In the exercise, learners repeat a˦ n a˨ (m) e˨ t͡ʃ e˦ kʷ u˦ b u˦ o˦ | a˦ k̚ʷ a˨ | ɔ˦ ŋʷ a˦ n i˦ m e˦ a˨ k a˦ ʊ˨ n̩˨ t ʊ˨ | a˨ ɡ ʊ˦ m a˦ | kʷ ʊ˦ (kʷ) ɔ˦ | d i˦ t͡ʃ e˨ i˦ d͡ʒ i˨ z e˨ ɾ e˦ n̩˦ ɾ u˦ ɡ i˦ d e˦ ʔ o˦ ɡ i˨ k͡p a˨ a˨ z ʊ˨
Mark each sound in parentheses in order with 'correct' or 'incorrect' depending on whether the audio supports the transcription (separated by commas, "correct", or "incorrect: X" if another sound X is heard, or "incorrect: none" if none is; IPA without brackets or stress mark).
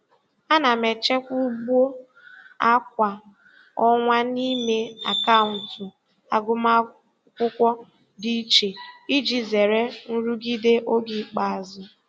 correct, correct